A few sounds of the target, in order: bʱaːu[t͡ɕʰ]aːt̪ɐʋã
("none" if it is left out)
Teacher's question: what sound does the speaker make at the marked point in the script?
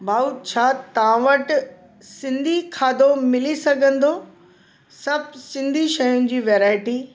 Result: t͡ɕʰ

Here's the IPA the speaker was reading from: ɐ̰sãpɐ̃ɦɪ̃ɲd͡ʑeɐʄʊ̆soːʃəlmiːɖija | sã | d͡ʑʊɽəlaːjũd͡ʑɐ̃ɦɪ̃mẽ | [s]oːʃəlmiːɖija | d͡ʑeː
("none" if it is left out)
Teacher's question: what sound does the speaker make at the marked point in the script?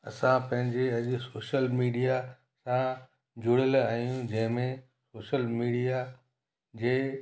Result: s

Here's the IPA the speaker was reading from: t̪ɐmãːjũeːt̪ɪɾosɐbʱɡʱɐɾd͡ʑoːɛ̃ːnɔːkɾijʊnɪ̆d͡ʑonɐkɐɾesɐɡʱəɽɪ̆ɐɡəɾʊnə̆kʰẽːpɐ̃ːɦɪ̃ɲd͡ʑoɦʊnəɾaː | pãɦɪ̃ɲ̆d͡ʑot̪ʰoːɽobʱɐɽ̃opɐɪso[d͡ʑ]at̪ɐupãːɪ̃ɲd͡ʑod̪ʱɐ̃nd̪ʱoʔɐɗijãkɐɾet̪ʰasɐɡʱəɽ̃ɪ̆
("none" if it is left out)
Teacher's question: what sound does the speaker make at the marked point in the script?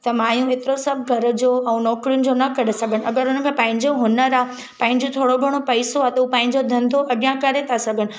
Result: none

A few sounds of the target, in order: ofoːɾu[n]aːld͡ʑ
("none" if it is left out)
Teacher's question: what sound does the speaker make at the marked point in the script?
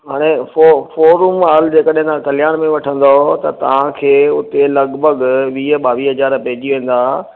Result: m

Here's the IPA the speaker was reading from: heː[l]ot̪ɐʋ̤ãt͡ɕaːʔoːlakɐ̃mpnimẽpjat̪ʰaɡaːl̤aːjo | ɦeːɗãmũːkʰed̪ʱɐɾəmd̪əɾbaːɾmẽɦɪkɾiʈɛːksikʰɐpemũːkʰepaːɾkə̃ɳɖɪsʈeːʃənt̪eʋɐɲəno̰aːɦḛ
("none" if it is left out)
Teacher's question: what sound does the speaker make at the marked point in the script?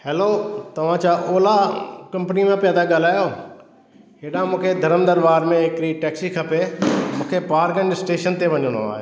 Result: l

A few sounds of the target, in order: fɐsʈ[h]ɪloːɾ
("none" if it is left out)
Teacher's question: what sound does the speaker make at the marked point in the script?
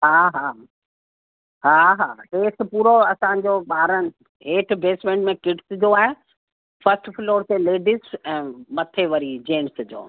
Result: f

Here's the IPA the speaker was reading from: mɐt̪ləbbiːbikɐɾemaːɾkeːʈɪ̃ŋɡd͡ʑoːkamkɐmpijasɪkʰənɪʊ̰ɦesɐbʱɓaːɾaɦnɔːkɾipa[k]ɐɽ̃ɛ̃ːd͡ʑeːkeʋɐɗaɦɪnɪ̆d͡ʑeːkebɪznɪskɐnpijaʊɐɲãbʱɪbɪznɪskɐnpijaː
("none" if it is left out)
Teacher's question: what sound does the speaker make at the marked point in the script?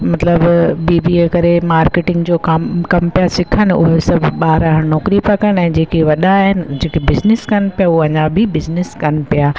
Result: k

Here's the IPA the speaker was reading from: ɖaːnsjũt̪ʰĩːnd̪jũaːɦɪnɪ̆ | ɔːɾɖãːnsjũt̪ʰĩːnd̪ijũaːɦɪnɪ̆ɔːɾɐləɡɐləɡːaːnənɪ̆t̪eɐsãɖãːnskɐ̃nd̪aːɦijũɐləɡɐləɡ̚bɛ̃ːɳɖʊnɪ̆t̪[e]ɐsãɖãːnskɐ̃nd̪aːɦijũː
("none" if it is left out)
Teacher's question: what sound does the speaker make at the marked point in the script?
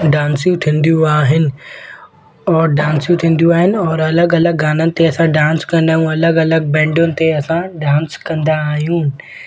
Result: e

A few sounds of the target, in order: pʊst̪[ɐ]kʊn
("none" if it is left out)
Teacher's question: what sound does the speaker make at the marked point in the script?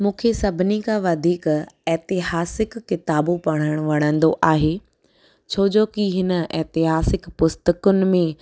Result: ə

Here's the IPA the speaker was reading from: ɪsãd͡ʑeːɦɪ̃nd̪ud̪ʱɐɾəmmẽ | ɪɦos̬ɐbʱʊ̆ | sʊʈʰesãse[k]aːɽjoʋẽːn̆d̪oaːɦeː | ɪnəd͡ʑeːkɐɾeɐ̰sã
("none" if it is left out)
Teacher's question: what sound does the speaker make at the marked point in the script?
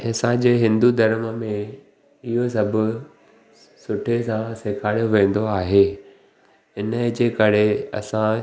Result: kʰ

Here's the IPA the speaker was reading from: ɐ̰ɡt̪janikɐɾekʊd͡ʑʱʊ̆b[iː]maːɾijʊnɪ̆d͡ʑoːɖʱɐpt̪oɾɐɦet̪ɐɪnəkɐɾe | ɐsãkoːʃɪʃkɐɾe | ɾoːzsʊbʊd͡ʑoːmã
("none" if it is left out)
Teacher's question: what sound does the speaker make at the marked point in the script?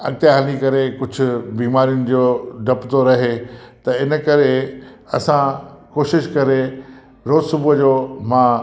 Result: iː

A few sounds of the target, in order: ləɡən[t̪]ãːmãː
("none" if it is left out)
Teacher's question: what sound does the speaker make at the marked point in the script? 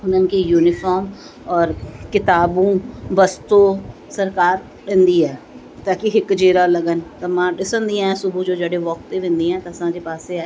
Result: t̪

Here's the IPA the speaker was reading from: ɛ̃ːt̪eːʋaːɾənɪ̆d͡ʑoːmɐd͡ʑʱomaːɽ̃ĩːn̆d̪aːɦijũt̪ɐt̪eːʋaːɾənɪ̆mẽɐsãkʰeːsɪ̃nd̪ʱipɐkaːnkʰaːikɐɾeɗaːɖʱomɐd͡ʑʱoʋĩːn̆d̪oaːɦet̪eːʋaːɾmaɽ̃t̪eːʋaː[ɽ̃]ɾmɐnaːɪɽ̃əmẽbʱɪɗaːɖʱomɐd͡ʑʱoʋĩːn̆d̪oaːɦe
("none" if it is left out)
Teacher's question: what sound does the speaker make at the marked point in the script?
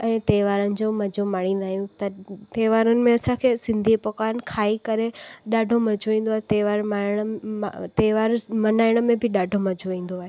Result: none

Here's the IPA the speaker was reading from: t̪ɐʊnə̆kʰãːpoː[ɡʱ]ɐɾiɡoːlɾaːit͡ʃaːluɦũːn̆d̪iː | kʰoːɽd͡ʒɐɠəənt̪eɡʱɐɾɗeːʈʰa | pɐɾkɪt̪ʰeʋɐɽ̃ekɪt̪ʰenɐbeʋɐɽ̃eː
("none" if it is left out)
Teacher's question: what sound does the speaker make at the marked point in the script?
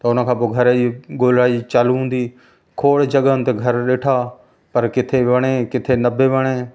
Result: ɡʱ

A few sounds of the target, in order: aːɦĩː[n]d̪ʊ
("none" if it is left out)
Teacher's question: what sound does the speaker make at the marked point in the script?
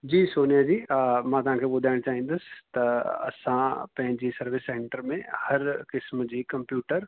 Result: n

